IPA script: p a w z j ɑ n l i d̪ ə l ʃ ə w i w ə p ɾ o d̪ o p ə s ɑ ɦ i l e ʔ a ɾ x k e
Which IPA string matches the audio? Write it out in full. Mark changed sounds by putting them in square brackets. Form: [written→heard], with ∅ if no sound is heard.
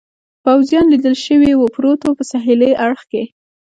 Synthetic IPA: p a w z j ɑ n l i d̪ ə l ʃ ə w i w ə p ɾ o [d̪→t̪] o p ə s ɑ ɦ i l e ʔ a [ɾ→ɽ] x k e